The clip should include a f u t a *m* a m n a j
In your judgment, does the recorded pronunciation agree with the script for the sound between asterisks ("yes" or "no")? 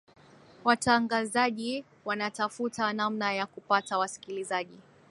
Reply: no